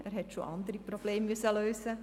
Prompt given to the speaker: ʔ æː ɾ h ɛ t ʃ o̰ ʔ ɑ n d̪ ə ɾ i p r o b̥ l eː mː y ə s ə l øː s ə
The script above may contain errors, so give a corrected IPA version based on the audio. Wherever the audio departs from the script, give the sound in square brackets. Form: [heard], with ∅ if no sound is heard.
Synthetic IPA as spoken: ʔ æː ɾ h ɛ t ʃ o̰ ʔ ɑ n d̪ ə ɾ i p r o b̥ l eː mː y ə s ə l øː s ə